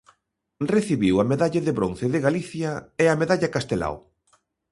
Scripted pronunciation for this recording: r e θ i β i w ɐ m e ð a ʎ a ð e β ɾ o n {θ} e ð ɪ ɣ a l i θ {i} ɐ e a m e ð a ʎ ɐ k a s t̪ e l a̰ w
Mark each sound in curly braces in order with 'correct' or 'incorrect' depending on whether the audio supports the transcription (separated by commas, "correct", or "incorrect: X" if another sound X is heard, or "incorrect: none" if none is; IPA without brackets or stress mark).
correct, incorrect: j